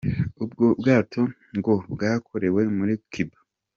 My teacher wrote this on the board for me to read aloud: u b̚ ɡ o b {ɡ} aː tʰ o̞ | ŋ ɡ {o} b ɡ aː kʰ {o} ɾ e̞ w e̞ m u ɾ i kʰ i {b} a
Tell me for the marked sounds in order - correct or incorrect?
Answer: correct, correct, correct, correct

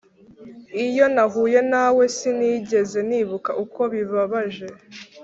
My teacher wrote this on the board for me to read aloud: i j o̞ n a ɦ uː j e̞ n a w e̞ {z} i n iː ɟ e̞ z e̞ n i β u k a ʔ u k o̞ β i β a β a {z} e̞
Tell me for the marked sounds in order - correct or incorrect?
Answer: incorrect, incorrect

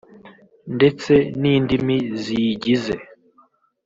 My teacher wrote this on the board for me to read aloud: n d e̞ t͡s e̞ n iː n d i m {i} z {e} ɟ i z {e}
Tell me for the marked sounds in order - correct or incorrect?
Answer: correct, incorrect, correct

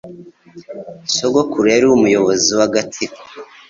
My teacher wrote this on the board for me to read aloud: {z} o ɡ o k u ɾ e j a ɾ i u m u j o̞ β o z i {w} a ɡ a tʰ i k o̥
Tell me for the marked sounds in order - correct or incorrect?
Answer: incorrect, correct

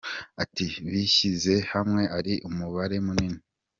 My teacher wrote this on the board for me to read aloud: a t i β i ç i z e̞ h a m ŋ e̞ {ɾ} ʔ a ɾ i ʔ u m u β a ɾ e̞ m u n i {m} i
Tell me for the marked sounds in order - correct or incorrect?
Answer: incorrect, incorrect

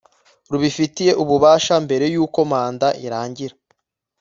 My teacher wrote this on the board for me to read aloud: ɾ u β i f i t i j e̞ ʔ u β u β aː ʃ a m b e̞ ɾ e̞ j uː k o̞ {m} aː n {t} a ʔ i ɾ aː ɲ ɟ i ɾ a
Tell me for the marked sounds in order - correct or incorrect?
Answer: correct, incorrect

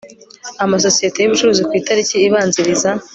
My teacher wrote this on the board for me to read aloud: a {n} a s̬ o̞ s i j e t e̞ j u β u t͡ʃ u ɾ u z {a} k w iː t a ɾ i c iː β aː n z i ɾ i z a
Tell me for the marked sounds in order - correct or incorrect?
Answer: incorrect, incorrect

